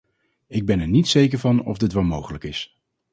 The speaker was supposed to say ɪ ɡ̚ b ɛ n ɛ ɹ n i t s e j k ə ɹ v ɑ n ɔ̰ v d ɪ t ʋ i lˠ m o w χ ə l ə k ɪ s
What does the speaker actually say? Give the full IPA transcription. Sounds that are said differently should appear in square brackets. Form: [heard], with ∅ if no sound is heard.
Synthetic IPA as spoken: ɪ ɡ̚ b ɛ n ɛ ɹ n i t s e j k ə ɹ v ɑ n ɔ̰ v d ɪ t ʋ [ɛ] lˠ m o w χ ə l ə k ɪ s